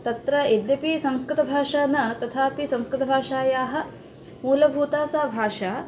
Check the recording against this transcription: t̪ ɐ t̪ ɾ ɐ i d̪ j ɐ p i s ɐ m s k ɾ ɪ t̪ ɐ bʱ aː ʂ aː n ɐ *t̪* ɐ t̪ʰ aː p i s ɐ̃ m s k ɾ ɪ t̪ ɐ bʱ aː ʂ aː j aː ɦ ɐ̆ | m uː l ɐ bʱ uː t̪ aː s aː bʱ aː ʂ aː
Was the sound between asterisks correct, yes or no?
yes